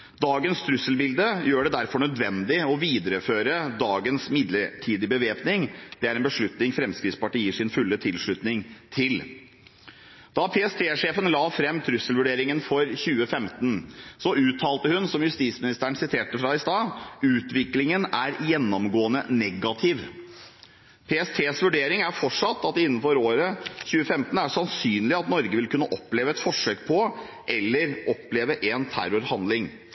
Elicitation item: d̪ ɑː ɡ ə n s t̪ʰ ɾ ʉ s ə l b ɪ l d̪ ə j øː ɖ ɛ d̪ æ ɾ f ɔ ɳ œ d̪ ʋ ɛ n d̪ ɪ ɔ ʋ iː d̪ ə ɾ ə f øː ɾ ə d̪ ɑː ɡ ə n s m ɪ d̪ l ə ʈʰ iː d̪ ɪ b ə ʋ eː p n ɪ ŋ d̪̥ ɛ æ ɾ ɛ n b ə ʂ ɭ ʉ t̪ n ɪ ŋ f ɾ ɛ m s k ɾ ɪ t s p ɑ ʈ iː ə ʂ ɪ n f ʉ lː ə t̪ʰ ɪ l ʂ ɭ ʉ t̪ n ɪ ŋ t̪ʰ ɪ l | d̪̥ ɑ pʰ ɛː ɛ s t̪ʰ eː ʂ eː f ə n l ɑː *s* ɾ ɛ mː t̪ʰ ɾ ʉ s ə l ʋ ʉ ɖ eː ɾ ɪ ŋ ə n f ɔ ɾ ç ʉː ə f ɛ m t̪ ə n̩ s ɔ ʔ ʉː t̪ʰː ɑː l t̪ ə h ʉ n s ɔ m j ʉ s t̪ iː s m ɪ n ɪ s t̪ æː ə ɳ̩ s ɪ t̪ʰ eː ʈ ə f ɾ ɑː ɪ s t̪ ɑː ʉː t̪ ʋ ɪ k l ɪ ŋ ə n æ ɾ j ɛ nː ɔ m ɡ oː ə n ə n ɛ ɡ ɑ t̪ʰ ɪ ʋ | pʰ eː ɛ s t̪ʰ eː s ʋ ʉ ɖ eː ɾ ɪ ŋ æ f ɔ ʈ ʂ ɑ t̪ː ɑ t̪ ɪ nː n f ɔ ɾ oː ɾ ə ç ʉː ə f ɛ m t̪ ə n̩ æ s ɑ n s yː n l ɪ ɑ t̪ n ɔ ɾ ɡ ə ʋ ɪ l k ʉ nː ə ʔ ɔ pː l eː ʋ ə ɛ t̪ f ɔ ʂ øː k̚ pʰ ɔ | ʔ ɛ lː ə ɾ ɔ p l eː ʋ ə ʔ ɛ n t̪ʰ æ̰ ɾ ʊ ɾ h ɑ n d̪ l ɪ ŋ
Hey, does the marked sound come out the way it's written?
no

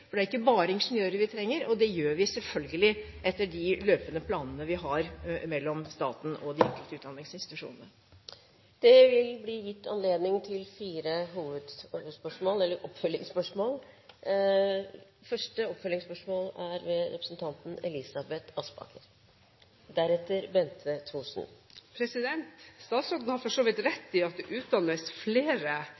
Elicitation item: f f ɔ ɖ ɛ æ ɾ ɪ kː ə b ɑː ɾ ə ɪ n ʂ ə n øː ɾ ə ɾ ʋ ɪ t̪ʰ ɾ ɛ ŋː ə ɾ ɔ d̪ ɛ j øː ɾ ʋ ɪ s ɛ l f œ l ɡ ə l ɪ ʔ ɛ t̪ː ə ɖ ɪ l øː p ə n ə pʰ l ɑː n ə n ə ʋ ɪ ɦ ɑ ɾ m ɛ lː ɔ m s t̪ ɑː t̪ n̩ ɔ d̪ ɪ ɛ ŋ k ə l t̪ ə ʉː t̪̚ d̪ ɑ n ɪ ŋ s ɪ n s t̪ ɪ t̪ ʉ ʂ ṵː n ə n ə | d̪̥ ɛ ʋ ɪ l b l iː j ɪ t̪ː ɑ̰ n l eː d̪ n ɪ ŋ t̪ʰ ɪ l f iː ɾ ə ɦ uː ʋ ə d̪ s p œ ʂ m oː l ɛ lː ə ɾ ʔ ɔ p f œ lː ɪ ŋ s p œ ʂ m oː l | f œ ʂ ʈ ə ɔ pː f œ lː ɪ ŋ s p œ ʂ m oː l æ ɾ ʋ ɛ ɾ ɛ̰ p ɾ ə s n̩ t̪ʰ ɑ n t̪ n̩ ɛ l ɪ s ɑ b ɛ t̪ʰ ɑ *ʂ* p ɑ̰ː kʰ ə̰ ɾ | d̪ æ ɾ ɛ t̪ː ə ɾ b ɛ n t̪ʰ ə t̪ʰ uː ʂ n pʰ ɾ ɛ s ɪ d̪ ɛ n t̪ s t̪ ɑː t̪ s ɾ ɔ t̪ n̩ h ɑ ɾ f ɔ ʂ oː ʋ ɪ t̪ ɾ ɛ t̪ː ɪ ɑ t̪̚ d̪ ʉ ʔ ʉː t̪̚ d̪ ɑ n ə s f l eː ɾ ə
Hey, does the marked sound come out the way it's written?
no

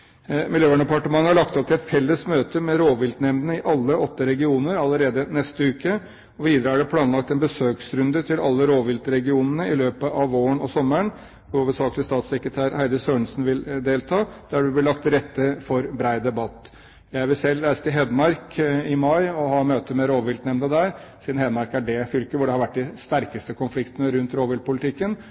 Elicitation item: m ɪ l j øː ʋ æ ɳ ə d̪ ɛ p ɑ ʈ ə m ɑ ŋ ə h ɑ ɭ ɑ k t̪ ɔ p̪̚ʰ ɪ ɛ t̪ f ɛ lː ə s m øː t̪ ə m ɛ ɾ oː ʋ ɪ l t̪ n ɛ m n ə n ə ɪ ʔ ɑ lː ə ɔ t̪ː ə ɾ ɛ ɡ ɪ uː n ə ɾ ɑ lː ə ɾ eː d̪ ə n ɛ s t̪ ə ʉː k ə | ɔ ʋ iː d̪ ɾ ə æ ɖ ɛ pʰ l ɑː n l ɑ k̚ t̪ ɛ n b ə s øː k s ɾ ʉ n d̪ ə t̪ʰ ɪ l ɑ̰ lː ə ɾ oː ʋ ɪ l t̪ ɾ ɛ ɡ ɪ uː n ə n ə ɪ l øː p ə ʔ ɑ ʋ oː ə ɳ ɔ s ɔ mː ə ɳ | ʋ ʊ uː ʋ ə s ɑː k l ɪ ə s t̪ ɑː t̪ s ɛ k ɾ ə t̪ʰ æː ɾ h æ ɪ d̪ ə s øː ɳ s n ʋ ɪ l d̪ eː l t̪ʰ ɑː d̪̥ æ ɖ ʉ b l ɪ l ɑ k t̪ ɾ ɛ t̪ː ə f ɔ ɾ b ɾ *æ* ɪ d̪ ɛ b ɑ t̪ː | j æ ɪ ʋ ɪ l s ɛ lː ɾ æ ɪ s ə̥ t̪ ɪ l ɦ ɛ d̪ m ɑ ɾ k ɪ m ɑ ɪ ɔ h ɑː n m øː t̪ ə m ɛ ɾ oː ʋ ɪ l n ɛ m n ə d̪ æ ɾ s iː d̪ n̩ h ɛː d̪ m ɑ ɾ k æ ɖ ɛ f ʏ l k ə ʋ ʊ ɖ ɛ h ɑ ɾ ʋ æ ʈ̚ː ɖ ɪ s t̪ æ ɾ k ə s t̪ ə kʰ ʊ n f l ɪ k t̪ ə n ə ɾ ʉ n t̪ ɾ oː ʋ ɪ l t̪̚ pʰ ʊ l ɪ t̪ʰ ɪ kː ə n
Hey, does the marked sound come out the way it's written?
yes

